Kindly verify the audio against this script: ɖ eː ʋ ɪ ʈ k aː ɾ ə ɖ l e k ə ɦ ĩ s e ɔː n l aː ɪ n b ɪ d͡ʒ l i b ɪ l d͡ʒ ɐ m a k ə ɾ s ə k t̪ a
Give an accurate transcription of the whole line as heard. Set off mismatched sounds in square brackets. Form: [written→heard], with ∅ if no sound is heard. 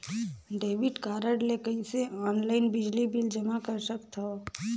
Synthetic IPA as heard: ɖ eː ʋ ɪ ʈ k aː ɾ ə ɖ l e k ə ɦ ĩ s e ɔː n l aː ɪ n b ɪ d͡ʒ l i b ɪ l d͡ʒ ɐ m a k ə ɾ s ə k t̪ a

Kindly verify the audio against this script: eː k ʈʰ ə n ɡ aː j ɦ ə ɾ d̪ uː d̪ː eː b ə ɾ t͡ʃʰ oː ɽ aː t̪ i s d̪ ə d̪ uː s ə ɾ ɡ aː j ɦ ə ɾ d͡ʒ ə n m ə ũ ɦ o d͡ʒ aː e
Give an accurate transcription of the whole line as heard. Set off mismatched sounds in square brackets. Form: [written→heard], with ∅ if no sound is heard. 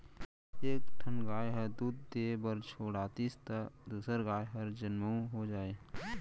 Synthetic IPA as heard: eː k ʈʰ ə n ɡ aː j ɦ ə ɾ d̪ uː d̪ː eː b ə ɾ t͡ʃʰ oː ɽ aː t̪ i s [d̪→t̪] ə d̪ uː s ə ɾ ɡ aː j ɦ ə ɾ d͡ʒ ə n m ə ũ ɦ o d͡ʒ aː e

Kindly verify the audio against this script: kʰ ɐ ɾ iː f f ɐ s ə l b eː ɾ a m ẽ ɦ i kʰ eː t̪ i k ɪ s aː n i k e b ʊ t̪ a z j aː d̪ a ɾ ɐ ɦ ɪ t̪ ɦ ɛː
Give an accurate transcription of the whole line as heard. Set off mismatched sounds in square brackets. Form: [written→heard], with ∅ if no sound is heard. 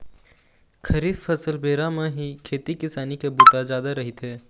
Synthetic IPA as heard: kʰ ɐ ɾ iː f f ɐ s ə l b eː ɾ a m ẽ ɦ i kʰ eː t̪ i k ɪ s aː n i k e b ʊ t̪ a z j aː d̪ a ɾ ɐ ɦ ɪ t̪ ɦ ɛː

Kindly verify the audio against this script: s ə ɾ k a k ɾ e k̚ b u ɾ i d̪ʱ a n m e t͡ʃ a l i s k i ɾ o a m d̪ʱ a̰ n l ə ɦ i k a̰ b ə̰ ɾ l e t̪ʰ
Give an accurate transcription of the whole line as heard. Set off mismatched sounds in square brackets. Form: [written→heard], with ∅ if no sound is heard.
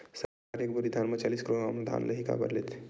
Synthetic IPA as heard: s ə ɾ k a [k→∅] ɾ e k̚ b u ɾ i d̪ʱ a n m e t͡ʃ a l i s k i ɾ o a m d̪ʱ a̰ n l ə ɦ i k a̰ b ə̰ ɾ l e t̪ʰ

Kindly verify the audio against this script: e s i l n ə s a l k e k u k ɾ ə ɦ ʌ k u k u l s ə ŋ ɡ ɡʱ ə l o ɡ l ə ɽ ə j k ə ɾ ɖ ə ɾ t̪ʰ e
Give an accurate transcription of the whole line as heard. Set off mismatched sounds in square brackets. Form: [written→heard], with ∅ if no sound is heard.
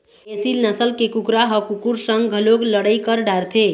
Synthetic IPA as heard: e s i l n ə s [a→ə] l k e k u k ɾ [ə→a] ɦ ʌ k u k u [l→ɾ] s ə ŋ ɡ ɡʱ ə l o ɡ l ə ɽ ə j k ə ɾ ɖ [ə→a] ɾ t̪ʰ e

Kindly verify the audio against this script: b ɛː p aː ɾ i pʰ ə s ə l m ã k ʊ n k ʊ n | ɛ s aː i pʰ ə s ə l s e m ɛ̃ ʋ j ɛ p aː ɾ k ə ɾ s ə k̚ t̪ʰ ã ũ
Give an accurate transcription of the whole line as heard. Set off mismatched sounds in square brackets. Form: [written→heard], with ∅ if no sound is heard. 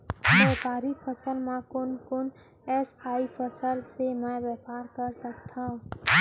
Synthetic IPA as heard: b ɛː p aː ɾ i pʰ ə s ə l m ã k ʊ n k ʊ n | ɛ s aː i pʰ ə s ə l s e m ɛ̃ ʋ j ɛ p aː ɾ k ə ɾ s ə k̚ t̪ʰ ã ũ

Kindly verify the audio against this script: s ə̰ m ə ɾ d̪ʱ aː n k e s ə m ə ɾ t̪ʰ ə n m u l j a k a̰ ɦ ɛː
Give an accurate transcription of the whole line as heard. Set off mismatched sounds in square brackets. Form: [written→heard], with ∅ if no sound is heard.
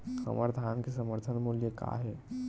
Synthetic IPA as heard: s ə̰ m ə ɾ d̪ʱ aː n k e s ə m ə ɾ t̪ʰ ə n m u l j [a→ə] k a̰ ɦ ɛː

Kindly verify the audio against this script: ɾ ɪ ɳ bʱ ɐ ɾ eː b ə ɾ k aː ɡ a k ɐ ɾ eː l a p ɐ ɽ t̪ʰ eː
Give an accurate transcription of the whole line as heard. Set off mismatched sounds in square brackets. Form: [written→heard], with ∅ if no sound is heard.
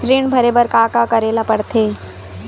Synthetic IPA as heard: ɾ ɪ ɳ bʱ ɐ ɾ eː b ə ɾ k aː [ɡ→k] a k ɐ ɾ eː l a p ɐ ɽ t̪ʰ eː

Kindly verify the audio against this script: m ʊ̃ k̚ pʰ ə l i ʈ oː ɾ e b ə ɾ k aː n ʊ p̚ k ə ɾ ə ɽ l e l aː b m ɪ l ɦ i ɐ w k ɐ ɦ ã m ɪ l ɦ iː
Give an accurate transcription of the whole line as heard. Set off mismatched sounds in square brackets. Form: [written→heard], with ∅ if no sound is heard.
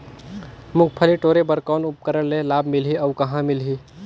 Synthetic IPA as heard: m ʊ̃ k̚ pʰ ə l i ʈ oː ɾ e b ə ɾ k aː n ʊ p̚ k ə ɾ ə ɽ l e l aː b m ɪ l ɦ i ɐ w k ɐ ɦ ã m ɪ l ɦ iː

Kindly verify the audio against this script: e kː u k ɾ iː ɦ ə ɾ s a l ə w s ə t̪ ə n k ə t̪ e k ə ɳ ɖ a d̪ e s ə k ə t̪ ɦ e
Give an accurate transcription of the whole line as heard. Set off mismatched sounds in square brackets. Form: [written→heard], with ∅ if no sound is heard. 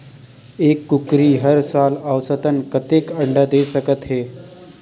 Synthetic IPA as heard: e kː u k ɾ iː ɦ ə ɾ s a l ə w s ə t̪ ə n k ə t̪ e k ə ɳ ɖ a d̪ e s ə k ə t̪ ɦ e

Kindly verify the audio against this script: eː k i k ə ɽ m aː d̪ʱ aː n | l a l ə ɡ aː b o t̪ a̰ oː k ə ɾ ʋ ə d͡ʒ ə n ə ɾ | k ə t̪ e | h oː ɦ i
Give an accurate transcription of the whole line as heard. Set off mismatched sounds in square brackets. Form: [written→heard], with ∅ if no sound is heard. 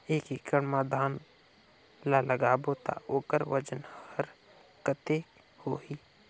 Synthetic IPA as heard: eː k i k ə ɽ m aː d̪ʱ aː n | l a l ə ɡ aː b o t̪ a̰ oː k ə ɾ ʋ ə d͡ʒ ə n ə ɾ | k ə t̪ e | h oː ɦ i

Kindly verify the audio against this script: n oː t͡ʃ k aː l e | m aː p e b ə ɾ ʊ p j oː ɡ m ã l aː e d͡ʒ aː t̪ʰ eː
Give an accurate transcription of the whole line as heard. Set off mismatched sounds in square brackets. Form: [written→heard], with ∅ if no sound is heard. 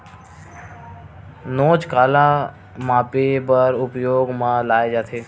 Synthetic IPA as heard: n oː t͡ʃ k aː l [e→a] | m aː p e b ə ɾ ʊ p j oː ɡ m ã l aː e d͡ʒ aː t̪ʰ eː

